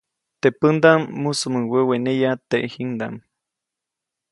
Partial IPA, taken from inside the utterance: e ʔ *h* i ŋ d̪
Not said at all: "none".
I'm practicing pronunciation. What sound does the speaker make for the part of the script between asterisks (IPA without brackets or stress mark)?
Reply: h